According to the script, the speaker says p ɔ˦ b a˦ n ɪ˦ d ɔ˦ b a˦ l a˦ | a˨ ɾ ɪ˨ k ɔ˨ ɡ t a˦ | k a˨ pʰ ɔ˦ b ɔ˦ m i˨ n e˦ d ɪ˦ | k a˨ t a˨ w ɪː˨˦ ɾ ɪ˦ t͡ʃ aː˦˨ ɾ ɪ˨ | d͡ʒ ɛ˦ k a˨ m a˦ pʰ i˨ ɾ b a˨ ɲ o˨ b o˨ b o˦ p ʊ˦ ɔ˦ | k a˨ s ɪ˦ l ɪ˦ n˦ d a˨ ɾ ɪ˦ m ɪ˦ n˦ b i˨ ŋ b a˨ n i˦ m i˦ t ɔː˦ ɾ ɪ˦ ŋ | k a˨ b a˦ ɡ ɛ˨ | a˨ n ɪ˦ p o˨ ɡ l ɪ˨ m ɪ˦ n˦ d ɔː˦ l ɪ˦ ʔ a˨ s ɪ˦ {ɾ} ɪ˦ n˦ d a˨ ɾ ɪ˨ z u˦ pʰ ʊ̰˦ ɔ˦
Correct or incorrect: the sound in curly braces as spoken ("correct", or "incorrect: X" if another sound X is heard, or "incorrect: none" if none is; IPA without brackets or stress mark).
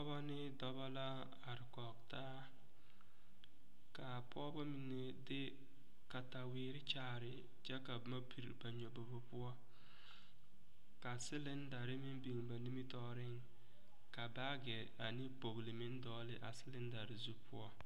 incorrect: l